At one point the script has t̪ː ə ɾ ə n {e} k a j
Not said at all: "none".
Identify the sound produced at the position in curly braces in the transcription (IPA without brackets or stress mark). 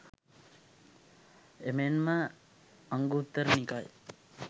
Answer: i